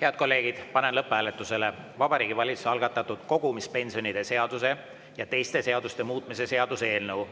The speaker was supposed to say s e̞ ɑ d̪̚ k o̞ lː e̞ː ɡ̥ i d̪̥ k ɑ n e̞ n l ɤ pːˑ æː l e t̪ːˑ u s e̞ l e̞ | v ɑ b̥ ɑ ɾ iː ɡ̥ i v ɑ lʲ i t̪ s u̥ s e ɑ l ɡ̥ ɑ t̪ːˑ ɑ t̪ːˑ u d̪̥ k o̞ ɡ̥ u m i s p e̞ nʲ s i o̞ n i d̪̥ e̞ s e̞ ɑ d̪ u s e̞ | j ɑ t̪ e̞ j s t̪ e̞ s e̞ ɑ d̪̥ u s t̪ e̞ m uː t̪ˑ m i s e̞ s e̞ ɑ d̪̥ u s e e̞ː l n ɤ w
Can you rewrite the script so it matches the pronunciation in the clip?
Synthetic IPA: h e̞ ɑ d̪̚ k o̞ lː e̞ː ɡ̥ i d̪̥ p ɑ n e̞ n l ɤ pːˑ æː l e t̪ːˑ u s e̞ l e̞ | v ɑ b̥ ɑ ɾ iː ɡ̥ i v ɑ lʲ i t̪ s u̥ s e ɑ l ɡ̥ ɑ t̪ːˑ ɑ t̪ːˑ u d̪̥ k o̞ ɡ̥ u m i s p e̞ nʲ s i o̞ n i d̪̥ e̞ s e̞ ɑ d̪ u s e̞ | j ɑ t̪ e̞ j s t̪ e̞ s e̞ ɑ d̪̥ u s t̪ e̞ m uː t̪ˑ m i s e̞ s e̞ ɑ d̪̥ u s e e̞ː l n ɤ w